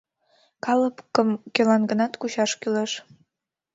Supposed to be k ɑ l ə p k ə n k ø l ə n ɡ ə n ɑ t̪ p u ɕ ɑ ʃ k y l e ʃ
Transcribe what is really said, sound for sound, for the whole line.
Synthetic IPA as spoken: k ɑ l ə p k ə m k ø l ɑ n ɡ ə n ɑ t̪ k u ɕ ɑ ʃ k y l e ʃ